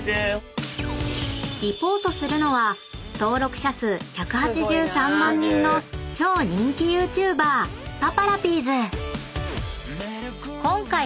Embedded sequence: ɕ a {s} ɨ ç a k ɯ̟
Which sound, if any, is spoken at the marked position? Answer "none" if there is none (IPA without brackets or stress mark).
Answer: s